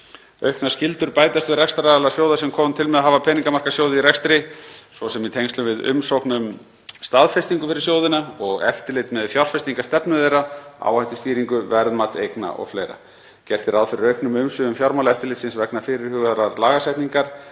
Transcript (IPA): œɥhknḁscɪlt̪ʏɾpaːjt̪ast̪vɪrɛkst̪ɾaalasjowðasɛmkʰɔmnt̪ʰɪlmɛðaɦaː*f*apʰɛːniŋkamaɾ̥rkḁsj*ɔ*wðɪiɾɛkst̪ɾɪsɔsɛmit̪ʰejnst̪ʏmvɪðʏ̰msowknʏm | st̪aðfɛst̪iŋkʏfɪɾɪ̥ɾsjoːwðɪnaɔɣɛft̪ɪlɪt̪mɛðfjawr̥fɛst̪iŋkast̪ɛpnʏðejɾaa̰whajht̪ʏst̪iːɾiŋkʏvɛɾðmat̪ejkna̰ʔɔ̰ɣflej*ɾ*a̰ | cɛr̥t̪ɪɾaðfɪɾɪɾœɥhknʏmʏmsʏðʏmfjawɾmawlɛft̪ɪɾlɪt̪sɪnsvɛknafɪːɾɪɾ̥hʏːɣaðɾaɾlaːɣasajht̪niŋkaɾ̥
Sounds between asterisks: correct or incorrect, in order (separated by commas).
incorrect, incorrect, correct